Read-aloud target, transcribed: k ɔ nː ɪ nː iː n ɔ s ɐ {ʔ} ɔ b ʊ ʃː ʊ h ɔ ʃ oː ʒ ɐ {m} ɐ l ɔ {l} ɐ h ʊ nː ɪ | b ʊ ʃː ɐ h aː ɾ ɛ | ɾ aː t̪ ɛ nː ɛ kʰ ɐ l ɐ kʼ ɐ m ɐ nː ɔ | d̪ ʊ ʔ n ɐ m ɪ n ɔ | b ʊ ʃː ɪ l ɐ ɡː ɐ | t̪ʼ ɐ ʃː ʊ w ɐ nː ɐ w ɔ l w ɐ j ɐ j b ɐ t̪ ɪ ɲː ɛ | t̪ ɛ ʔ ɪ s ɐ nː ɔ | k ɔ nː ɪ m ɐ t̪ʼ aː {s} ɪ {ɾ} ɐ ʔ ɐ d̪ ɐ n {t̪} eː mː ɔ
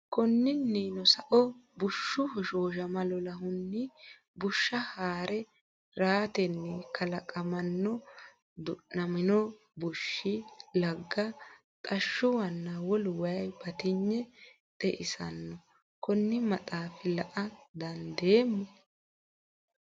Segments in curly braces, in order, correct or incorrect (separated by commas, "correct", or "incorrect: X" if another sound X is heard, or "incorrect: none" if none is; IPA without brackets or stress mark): correct, correct, correct, incorrect: f, incorrect: l, incorrect: d̪